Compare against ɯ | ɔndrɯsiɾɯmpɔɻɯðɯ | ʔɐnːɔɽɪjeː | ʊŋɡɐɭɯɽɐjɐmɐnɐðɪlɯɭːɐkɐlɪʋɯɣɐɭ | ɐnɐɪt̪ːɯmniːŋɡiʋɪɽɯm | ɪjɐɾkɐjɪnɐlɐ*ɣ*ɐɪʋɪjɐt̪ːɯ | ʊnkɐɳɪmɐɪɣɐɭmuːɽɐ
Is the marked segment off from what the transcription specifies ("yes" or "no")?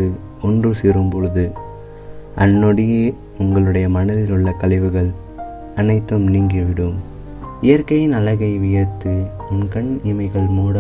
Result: no